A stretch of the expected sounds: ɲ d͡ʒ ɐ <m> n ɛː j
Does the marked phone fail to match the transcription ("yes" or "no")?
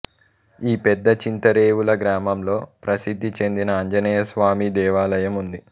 yes